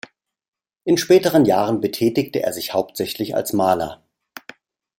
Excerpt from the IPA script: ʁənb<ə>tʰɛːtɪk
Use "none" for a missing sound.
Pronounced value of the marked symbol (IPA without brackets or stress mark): ə